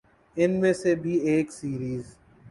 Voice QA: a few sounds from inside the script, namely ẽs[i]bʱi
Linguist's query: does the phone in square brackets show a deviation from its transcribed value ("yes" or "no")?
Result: yes